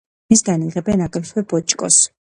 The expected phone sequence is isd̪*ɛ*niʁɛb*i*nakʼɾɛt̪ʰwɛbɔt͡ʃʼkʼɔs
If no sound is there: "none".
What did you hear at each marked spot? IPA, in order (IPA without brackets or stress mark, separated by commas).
a, ɛ